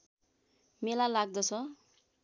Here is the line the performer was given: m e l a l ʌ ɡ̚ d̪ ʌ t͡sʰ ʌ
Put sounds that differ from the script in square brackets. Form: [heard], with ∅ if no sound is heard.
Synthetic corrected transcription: m e l a l [a] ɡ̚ d̪ ʌ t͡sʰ ʌ